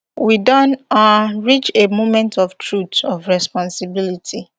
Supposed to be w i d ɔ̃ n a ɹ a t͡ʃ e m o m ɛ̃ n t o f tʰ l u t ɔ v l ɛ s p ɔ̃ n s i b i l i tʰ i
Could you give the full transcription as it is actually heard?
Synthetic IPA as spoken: w i d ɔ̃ n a ɹ i t͡ʃ e m o m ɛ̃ n t ɔ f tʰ ɹ u t ɔ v ɹ ɛ s p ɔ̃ n s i b i l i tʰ i